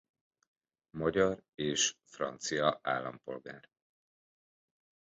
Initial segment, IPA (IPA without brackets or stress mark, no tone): m